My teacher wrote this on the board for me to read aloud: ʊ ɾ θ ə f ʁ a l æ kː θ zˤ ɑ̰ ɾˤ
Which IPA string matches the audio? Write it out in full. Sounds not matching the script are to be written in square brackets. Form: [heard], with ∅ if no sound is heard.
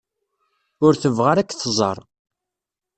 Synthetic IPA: ʊ ɾ θ ə [v] ʁ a [ɾ] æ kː θ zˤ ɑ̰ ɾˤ